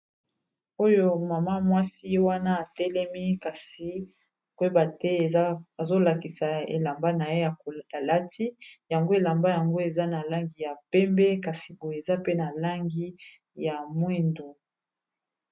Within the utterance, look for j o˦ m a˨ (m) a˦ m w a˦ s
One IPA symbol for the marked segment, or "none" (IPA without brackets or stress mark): m